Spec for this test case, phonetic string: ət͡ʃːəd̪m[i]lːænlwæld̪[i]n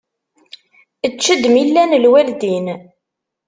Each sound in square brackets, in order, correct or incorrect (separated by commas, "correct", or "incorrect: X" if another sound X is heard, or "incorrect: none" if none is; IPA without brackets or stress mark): correct, correct